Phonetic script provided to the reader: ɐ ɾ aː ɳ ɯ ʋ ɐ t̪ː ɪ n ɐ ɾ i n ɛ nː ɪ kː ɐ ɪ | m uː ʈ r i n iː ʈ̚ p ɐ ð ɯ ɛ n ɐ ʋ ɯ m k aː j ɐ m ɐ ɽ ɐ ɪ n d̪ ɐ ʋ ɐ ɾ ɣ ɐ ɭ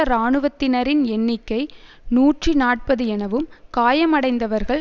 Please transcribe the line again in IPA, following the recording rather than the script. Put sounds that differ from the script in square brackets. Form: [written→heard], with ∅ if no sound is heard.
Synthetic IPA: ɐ ɾ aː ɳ ɯ ʋ ɐ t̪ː ɪ n ɐ ɾ [i→ɪ] n ɛ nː ɪ kː ɐ ɪ | [m→n] uː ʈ r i n [iː→aː] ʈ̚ p ɐ ð ɯ ɛ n ɐ ʋ ɯ m k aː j ɐ m ɐ ɽ ɐ ɪ n d̪ ɐ ʋ ɐ ɾ ɣ ɐ ɭ